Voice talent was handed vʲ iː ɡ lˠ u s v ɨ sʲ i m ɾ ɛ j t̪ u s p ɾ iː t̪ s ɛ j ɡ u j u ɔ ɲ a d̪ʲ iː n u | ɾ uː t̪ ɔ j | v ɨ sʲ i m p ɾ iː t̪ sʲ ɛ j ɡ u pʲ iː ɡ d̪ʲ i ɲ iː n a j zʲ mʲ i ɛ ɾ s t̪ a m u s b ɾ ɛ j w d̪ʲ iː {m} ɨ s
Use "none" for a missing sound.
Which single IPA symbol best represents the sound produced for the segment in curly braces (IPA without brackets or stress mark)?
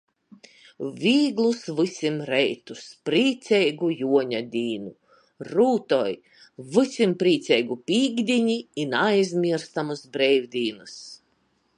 n